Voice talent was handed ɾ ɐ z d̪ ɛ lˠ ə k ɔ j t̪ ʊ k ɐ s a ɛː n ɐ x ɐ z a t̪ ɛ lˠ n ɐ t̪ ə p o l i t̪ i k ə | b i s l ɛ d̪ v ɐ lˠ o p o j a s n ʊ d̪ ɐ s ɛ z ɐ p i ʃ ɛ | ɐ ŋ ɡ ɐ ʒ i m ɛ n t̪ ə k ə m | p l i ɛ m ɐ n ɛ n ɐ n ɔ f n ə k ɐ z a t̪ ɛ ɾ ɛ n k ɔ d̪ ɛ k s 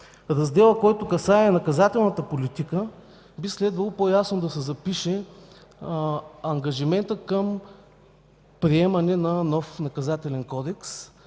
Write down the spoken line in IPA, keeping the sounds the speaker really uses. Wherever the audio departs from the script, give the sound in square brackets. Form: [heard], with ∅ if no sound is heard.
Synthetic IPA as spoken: ɾ ɐ z d̪ ɛ lˠ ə k ɔ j t̪ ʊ k ɐ s a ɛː n ɐ [k] ɐ z a t̪ ɛ lˠ n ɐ t̪ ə p o l i t̪ i k ə | b i s l ɛ d̪ v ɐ lˠ o p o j a s n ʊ d̪ ɐ s ɛ z ɐ p i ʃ ɛ | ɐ ŋ ɡ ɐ ʒ i m ɛ n t̪ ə k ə m | p [ɾ] i ɛ m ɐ n ɛ n ɐ n ɔ f n [ɐ] k ɐ z a t̪ ɛ [l] ɛ n k ɔ d̪ ɛ k s